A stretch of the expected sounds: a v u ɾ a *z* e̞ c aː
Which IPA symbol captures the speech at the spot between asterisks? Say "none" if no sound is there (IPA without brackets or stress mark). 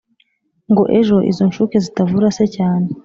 s